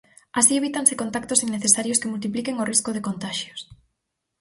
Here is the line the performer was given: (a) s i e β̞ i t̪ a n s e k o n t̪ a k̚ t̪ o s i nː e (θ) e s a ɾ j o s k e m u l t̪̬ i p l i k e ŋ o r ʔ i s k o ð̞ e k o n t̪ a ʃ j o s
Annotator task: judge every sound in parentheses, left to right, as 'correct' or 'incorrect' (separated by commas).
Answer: correct, correct